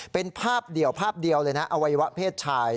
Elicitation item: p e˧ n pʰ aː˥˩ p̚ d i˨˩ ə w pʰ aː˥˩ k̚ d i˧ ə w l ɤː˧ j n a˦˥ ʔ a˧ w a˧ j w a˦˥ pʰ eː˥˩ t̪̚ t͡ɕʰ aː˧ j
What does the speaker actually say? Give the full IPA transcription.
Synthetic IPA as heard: p e˧ n pʰ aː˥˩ p̚ d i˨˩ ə w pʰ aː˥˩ p̚ d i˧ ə w l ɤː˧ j n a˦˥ ʔ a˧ w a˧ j w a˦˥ pʰ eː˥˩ t̪̚ t͡ɕʰ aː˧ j

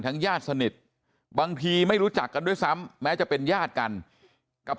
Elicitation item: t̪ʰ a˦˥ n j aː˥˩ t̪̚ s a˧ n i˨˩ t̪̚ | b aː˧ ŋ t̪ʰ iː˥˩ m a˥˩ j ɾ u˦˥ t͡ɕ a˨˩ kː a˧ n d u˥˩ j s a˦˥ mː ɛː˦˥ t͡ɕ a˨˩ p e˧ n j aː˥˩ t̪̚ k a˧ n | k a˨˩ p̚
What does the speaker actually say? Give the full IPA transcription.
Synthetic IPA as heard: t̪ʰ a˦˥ ŋ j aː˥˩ t̪̚ s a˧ n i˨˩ t̪̚ | b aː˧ ŋ t̪ʰ iː˧ m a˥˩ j ɾ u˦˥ t͡ɕ a˨˩ kː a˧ n d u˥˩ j s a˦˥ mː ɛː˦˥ t͡ɕ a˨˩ p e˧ n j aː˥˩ t̪̚ k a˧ n | k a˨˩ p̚

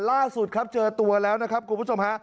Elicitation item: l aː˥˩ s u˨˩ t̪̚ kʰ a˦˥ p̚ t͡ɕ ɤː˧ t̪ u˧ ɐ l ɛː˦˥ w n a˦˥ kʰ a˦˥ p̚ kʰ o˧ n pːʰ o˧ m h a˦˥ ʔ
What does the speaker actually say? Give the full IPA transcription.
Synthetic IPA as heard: l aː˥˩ s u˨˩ t̪̚ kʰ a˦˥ p̚ t͡ɕ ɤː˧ t̪ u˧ ɐ l ɛː˦˥ w n a˦˥ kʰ a˦˥ p̚ kʰ u˧ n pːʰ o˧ m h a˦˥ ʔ

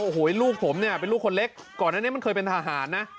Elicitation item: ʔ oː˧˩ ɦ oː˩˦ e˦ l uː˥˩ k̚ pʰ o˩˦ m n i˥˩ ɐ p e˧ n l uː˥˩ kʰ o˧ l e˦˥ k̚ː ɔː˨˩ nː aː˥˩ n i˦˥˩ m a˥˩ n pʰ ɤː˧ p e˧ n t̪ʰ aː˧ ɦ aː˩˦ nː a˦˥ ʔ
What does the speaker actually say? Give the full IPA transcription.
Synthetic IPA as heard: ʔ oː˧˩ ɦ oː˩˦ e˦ l uː˥˩ k̚ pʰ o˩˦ m n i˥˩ ɐ p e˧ n l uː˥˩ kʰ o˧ l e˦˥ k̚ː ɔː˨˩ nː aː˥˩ n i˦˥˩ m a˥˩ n kʰ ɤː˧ p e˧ n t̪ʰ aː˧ ɦ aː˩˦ nː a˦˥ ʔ

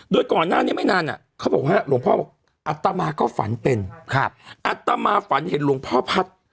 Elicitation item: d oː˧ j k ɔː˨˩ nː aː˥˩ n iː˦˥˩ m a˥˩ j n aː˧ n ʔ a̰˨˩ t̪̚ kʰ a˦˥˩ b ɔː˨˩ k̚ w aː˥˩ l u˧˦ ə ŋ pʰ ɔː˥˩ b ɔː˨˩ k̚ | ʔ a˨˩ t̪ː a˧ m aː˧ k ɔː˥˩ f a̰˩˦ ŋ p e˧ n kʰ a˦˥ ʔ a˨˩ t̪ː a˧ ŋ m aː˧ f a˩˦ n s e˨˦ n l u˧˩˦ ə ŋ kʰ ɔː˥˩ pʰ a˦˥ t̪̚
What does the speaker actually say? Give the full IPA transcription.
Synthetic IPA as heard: d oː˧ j k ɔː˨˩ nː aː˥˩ n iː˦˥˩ m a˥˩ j n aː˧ n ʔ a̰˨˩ kʰ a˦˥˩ b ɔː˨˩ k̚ w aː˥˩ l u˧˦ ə ŋ pʰ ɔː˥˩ b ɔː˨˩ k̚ | ʔ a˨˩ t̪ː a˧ m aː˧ k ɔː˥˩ f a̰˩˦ n p e˧ n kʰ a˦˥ ʔ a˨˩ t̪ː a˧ m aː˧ f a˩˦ n h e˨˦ n l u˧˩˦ ə ŋ pʰ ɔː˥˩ pʰ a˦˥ t̪̚

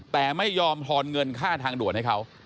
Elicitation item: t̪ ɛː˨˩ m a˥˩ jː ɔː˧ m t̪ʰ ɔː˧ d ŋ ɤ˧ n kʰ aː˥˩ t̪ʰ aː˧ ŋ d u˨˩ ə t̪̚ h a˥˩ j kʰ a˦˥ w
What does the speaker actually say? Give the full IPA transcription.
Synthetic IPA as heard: t̪ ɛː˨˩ m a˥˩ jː ɔː˧ m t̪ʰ ɔː˧ n ŋ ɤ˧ n kʰ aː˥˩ t̪ʰ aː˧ ŋ d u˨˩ ə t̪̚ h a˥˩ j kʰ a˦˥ w

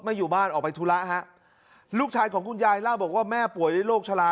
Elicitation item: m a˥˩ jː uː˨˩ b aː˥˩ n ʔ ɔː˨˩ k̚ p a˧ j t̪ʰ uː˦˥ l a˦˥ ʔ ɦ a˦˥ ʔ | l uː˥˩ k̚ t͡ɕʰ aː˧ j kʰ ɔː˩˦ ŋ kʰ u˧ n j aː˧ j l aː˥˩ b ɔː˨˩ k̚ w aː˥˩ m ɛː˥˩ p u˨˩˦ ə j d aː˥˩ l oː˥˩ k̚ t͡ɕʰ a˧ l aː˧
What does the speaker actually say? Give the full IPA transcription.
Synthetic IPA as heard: m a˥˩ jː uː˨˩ b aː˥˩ n ʔ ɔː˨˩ k̚ p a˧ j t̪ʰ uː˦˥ l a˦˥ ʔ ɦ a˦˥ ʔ | l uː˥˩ k̚ t͡ɕʰ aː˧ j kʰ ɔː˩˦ ŋ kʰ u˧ n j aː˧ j l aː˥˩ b ɔː˨˩ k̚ w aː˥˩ m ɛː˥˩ p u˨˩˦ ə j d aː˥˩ l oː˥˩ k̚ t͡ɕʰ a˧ l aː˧

